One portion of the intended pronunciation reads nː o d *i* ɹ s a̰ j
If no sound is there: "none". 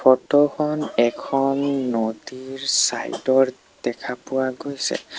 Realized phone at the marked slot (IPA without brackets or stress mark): i